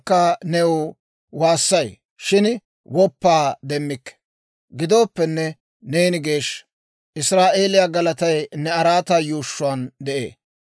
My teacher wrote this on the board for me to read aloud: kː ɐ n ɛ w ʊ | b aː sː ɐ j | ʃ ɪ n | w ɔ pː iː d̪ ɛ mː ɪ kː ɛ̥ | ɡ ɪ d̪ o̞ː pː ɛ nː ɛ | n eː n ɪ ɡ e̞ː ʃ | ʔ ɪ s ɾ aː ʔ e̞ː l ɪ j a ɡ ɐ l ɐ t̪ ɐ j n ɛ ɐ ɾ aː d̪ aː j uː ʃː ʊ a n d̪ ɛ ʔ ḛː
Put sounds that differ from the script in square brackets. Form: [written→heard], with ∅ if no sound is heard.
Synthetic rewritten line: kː ɐ n ɛ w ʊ | [b→w] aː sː ɐ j | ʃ ɪ n | w ɔ pː [iː→aː] d̪ ɛ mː ɪ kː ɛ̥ | ɡ ɪ d̪ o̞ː pː ɛ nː ɛ | n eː n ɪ ɡ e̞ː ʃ | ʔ ɪ s ɾ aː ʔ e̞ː l ɪ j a ɡ ɐ l ɐ t̪ ɐ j n ɛ ɐ ɾ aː [d̪→t̪] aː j uː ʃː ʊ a n d̪ ɛ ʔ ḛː

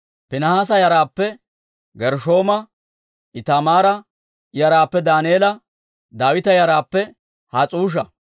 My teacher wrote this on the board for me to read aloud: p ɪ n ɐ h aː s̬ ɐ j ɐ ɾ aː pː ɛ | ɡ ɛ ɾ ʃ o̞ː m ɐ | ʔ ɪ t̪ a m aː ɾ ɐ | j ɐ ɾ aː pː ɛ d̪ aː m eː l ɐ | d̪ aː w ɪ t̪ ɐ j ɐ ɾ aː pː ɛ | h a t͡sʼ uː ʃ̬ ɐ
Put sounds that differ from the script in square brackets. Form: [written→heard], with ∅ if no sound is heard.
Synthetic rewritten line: p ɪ n ɐ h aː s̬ ɐ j ɐ ɾ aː pː ɛ | ɡ ɛ ɾ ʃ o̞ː m ɐ | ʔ ɪ t̪ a m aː ɾ ɐ | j ɐ ɾ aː pː ɛ d̪ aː [m→n] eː l ɐ | d̪ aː w ɪ t̪ ɐ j ɐ ɾ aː pː ɛ | h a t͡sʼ uː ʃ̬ ɐ

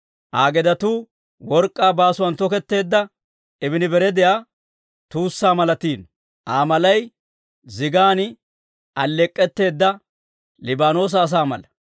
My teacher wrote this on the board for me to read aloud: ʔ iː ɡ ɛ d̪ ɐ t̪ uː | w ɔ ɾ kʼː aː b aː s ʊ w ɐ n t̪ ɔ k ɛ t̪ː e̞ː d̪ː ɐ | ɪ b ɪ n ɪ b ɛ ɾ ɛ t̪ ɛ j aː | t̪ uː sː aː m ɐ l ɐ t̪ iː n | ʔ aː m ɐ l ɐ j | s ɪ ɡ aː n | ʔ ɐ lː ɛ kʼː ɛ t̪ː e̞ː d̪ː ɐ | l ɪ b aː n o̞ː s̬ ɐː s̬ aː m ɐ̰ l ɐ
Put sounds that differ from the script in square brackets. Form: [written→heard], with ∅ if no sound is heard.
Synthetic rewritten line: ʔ [iː→aː] ɡ ɛ d̪ ɐ t̪ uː | w ɔ ɾ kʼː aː b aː s ʊ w ɐ n t̪ ɔ k ɛ t̪ː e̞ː d̪ː ɐ | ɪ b ɪ n ɪ b ɛ ɾ ɛ [t̪→d̪] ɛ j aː | t̪ uː sː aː m ɐ l ɐ t̪ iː n | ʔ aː m ɐ l ɐ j | [s→z] ɪ ɡ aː n | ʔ ɐ lː ɛ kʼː ɛ t̪ː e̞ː d̪ː ɐ | l ɪ b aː n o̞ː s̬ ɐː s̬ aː m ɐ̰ l ɐ

